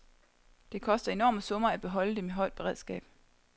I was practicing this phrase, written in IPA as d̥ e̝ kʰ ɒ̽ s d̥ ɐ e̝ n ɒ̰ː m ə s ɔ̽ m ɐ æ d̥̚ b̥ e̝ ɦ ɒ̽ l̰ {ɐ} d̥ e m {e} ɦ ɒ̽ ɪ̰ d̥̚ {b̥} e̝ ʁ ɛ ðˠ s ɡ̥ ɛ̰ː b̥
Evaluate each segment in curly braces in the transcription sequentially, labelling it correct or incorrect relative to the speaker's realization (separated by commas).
incorrect, correct, correct